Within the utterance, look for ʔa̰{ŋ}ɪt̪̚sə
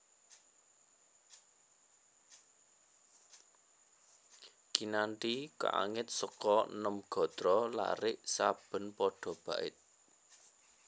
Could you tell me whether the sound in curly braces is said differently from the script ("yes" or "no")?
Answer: no